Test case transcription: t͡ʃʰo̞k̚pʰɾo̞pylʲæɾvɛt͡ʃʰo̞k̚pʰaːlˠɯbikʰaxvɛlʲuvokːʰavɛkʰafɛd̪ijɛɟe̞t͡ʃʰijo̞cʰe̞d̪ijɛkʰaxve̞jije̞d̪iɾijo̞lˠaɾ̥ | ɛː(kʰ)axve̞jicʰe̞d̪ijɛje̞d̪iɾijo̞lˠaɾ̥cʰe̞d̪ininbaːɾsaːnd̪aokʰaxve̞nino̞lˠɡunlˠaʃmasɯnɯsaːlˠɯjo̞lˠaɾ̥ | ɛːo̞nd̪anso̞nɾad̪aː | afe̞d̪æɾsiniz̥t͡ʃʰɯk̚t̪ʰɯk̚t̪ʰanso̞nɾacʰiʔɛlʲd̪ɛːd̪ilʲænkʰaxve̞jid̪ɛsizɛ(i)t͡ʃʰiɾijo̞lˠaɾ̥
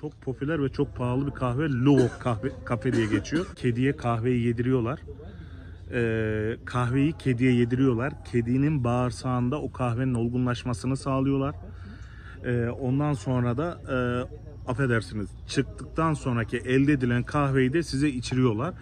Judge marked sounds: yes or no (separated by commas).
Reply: yes, yes